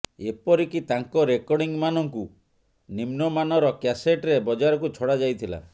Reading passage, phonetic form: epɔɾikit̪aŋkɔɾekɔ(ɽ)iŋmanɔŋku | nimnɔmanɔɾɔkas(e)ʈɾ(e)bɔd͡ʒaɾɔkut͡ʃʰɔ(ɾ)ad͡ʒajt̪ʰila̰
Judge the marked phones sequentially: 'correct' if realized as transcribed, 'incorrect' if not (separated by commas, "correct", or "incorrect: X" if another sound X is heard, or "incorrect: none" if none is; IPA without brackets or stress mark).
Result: correct, correct, correct, incorrect: ɽ